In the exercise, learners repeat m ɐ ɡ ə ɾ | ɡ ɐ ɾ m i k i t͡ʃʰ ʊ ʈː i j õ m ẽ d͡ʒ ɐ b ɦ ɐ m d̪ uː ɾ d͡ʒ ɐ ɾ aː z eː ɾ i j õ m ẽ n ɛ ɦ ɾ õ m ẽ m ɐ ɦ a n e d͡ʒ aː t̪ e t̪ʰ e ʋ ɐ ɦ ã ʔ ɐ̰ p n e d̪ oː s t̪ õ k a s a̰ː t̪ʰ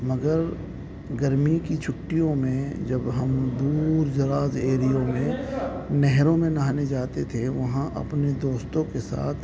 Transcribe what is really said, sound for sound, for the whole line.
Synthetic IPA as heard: m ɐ ɡ ə ɾ | ɡ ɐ ɾ m i k i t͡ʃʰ ʊ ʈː i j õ m ẽ d͡ʒ ɐ b ɦ ɐ m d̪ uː ɾ d͡ʒ ɐ ɾ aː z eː ɾ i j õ m ẽ n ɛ ɦ ɾ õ m ẽ n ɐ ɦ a n e d͡ʒ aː t̪ e t̪ʰ e ʋ ɐ ɦ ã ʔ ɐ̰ p n e d̪ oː s t̪ õ k e s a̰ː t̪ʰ